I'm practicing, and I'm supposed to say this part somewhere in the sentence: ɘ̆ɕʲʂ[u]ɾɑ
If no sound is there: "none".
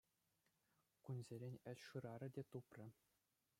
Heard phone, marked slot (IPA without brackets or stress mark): ɯ